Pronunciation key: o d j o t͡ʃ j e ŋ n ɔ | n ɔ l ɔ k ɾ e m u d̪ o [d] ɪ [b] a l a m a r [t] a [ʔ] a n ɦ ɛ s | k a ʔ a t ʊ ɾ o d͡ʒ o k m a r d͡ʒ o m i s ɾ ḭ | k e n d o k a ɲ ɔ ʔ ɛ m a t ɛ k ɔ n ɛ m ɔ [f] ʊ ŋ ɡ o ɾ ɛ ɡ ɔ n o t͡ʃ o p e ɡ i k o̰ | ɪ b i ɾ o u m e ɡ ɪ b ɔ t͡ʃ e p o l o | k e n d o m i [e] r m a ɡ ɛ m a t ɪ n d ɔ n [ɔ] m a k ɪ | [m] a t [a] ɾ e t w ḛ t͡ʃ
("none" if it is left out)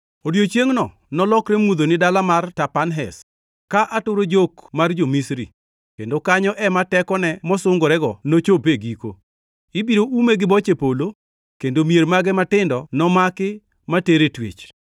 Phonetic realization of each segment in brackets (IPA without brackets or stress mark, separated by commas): n, d, t, p, s, e, ɔ, m, e